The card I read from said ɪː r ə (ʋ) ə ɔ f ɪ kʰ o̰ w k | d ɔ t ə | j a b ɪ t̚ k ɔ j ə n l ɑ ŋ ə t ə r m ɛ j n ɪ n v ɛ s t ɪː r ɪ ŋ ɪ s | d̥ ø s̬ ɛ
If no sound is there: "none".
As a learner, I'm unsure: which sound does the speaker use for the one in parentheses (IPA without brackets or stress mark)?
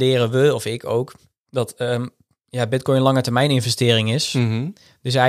ʋ